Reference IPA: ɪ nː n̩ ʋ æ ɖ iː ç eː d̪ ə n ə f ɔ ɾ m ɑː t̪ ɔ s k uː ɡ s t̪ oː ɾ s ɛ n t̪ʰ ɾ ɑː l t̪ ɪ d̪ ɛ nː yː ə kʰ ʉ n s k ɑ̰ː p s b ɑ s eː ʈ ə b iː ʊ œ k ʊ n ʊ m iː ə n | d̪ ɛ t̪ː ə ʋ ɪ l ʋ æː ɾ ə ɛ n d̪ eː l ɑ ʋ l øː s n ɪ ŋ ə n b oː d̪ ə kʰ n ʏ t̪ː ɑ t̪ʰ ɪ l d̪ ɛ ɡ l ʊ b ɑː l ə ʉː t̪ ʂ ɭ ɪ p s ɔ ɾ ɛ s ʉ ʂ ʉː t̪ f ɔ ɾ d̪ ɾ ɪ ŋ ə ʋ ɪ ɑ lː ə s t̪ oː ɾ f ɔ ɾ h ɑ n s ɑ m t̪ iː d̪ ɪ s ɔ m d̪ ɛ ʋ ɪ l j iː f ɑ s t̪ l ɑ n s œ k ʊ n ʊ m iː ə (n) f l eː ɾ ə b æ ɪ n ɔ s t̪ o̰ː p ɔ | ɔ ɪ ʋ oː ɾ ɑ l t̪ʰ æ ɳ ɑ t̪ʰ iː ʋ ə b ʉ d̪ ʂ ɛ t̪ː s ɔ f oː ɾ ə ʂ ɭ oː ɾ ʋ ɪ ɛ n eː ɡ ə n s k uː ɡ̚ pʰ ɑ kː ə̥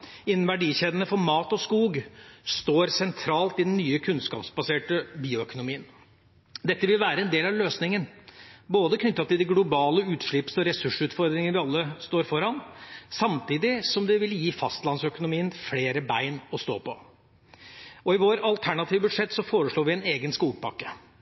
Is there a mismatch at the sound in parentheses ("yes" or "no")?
no